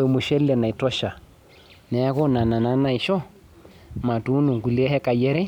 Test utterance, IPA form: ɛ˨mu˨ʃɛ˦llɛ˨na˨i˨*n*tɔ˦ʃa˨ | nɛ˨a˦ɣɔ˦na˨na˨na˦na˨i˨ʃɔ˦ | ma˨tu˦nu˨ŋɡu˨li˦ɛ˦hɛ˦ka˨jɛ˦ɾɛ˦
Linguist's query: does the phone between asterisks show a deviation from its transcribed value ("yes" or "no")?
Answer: yes